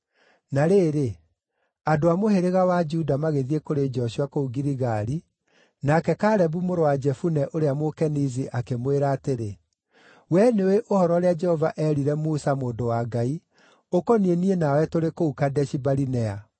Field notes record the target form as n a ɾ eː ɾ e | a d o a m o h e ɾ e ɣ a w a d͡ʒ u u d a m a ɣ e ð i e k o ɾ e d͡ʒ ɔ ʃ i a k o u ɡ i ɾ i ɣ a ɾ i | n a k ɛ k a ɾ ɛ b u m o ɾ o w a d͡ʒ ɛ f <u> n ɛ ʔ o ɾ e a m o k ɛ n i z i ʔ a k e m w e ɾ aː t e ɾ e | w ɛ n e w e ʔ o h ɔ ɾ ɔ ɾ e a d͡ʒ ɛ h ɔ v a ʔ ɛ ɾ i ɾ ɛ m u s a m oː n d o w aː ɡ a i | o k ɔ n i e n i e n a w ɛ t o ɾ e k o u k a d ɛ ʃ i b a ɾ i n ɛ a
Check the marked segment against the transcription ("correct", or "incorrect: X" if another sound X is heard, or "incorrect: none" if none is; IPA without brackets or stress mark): correct